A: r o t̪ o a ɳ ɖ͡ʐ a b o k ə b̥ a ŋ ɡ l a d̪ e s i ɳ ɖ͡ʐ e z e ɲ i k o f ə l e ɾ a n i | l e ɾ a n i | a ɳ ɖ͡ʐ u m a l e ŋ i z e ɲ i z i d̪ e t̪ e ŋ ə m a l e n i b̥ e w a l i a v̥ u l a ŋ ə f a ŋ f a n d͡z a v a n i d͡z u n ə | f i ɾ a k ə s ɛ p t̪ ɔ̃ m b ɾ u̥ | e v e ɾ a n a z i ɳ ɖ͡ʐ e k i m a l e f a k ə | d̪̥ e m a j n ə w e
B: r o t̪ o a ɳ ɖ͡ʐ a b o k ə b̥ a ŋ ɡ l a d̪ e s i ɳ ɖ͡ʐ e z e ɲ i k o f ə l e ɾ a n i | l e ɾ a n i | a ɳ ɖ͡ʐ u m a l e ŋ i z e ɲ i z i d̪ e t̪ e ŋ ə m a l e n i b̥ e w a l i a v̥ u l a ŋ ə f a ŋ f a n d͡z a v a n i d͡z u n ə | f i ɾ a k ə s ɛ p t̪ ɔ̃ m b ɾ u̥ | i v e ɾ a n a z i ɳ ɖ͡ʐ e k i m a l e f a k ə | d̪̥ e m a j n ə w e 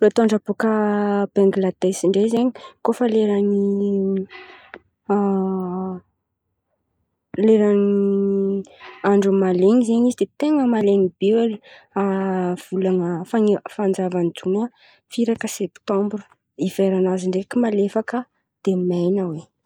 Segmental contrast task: B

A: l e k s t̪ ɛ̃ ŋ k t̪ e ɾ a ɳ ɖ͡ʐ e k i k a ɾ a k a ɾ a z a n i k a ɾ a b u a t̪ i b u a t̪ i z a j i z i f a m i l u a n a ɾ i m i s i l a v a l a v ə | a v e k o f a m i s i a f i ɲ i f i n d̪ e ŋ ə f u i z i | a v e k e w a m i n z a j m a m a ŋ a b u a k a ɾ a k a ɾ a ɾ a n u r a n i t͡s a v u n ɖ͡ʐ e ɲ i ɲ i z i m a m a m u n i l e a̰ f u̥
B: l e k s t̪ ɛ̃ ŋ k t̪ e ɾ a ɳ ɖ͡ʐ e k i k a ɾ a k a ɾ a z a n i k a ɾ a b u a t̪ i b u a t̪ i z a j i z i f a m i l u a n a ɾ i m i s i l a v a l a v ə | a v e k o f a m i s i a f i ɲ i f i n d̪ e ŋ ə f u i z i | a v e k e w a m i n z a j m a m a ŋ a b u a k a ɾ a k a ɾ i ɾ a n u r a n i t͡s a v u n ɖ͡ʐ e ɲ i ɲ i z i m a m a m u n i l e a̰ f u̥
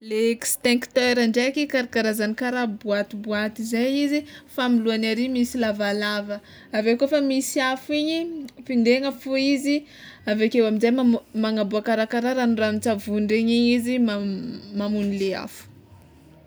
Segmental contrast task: A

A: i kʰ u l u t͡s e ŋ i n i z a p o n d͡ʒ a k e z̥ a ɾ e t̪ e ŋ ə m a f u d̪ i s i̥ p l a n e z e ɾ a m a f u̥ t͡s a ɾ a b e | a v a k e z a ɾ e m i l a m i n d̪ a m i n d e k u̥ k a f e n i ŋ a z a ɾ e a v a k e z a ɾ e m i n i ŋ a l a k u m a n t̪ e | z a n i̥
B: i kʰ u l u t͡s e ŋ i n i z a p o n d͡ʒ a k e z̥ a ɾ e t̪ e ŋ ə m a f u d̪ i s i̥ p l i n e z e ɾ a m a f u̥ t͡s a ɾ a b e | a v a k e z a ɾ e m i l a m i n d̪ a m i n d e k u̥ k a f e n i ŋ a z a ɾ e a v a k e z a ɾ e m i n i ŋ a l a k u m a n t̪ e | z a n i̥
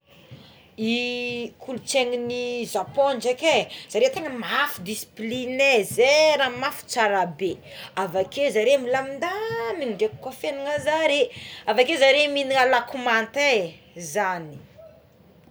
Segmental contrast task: B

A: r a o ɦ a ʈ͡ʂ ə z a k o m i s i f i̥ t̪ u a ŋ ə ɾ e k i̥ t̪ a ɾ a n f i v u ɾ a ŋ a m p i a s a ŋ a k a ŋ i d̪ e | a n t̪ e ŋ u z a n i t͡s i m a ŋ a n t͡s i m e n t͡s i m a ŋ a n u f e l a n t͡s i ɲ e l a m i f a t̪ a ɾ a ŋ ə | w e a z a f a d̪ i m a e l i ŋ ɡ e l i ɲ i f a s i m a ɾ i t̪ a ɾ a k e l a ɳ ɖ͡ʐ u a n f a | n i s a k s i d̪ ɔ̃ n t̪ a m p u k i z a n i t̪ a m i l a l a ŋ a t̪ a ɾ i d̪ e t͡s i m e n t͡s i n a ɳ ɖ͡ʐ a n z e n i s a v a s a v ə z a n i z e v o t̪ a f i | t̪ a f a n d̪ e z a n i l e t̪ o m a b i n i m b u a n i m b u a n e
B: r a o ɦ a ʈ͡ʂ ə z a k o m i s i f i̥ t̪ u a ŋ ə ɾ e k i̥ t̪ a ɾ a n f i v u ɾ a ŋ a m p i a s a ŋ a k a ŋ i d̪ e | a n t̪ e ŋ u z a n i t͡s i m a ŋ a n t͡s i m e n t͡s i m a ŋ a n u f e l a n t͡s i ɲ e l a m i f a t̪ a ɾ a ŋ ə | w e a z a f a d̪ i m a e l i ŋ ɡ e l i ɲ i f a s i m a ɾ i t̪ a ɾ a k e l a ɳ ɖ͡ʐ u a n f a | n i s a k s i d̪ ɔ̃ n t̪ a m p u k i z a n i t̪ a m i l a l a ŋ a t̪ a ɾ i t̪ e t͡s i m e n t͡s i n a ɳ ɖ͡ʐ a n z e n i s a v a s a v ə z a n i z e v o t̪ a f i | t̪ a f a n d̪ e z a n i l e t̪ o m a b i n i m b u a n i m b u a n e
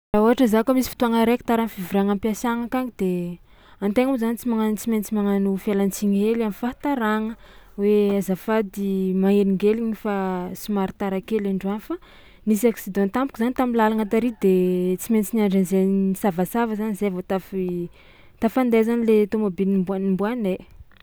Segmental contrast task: A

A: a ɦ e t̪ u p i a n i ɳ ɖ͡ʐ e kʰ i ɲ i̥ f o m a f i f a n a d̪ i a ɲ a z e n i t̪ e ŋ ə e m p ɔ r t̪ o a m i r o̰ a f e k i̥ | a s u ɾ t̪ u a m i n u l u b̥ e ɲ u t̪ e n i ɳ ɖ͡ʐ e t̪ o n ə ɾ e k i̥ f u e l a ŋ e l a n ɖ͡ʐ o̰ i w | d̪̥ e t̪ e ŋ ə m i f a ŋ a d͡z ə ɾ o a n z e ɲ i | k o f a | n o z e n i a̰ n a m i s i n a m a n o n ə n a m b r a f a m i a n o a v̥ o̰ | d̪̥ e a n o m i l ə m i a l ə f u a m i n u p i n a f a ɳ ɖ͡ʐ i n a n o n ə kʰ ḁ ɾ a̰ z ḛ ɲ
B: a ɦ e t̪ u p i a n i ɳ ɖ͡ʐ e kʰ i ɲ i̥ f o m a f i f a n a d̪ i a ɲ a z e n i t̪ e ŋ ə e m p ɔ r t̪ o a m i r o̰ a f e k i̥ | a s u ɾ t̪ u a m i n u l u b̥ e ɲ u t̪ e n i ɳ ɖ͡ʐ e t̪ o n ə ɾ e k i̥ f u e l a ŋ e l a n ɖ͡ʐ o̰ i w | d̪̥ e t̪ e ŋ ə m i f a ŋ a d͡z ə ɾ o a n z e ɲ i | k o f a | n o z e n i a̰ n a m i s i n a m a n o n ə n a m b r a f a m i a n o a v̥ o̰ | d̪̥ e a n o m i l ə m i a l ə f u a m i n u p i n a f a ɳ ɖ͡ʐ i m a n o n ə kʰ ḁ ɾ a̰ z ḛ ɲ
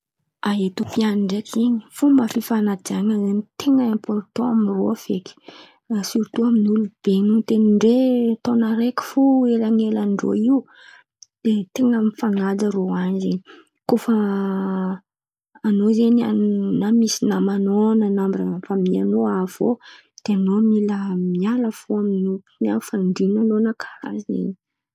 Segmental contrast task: A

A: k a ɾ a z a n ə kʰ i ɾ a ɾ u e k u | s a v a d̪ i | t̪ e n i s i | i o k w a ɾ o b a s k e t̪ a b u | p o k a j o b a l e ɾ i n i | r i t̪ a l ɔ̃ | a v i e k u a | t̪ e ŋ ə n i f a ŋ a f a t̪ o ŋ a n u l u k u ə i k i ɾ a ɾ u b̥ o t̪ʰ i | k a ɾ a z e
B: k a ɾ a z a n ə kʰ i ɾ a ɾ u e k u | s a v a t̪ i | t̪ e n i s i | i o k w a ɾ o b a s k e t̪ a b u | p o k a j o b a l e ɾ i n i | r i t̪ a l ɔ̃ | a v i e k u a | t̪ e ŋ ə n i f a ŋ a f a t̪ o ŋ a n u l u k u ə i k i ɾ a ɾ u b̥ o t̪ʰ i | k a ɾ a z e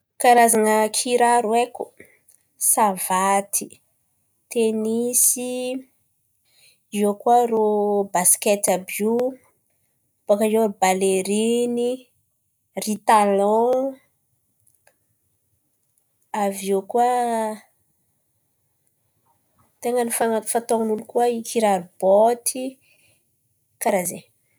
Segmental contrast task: B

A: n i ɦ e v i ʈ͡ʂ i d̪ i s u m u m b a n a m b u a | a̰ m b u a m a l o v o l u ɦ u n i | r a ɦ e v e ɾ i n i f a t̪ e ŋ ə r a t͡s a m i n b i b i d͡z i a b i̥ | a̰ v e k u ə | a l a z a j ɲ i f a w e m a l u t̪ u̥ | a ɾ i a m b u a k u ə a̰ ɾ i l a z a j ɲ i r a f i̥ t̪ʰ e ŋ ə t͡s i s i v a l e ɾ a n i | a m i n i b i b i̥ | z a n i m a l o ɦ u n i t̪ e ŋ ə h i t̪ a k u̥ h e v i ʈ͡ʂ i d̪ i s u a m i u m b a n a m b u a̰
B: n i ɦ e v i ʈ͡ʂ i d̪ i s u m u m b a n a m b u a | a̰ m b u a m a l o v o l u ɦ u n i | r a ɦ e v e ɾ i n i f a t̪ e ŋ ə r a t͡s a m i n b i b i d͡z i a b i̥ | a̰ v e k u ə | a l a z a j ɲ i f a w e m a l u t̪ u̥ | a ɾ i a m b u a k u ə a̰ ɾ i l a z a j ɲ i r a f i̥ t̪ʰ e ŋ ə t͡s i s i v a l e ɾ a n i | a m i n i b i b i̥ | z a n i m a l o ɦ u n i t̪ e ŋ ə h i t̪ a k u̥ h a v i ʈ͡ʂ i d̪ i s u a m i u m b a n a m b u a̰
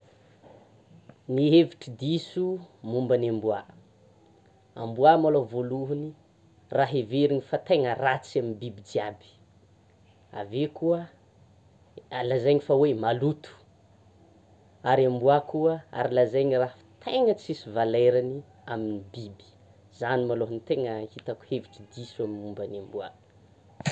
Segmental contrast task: A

